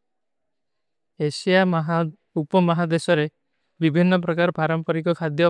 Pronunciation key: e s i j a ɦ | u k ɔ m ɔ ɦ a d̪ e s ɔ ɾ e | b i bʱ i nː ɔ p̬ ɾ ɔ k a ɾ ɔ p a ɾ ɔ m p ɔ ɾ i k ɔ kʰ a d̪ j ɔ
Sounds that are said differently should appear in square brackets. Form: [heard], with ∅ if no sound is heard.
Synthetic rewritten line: e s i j a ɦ | u [p] ɔ m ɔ ɦ a d̪ e s ɔ ɾ e | b i bʱ i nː ɔ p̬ ɾ ɔ k a ɾ ɔ p a ɾ ɔ m p ɔ ɾ i k ɔ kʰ a d̪ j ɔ